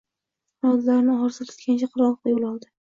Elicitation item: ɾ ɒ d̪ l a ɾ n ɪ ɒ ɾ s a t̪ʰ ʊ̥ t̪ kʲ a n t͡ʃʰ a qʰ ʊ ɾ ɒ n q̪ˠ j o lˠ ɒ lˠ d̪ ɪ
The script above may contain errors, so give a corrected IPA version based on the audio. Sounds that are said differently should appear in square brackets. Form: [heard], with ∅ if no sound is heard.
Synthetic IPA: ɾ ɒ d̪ l a ɾ n ɪ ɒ ɾ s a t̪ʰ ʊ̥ t̪ kʲ a n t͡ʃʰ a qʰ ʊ ɾ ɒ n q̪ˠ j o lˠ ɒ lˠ d̪ ɪ